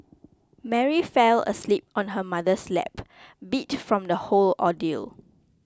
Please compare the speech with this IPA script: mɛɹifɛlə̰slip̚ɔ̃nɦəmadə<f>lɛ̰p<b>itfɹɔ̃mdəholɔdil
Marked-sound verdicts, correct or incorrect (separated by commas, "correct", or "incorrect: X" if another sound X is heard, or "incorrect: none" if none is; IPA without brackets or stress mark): incorrect: s, correct